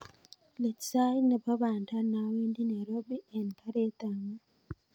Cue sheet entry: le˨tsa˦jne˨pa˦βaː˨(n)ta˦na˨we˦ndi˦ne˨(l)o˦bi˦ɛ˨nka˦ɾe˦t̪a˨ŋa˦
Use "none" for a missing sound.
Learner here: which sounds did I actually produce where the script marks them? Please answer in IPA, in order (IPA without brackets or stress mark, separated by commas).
n, ɾ